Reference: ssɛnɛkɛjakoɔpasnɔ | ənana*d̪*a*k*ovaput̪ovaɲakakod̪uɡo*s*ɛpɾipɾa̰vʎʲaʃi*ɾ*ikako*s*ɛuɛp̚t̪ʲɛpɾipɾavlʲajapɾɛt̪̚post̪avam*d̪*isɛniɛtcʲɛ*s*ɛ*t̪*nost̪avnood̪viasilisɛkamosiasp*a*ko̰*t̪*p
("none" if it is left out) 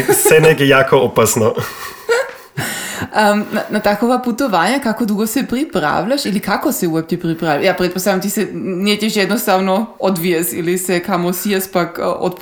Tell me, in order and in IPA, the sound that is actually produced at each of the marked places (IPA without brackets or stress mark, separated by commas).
t̪, k, s, l, s, t̪, ʃ, d̪, a, t̪